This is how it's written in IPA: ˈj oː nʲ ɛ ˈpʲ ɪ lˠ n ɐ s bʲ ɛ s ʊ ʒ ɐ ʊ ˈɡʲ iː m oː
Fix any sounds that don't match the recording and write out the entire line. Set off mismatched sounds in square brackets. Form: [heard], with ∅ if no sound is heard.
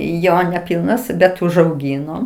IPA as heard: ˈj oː nʲ ɛ ˈpʲ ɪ lˠ n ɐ s bʲ ɛ [t] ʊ ʒ ɐ ʊ ˈɡʲ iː [n] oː